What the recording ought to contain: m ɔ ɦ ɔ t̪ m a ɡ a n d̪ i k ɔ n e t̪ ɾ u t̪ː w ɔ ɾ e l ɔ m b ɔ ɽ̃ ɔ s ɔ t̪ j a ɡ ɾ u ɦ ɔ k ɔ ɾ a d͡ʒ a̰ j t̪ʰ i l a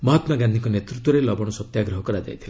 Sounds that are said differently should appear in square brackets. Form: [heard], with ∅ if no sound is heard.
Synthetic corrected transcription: m ɔ ɦ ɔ t̪ m a ɡ a n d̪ i k ɔ n e t̪ ɾ u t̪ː w ɔ ɾ e l ɔ [∅] b ɔ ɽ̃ ɔ s ɔ t̪ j a ɡ ɾ [ɔ] ɦ ɔ k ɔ ɾ a d͡ʒ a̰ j t̪ʰ i l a